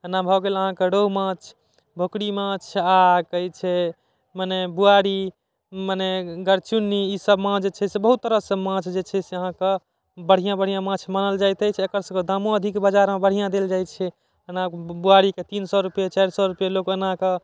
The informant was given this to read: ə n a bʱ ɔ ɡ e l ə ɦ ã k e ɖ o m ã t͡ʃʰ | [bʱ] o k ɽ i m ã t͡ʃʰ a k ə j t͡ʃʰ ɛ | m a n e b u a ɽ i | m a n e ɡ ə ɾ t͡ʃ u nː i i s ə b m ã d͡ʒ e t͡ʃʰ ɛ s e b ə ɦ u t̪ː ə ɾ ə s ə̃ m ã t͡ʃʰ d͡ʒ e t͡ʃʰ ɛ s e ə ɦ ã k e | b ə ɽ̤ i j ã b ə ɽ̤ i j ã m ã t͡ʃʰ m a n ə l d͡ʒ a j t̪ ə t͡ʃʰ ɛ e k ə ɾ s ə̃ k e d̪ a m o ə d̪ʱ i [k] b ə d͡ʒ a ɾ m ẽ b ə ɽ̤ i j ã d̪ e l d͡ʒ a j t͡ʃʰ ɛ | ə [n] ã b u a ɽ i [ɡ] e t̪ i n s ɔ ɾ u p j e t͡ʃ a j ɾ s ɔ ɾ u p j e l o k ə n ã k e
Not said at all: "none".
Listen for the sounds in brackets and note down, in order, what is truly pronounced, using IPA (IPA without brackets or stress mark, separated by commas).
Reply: bʱ, k, n, k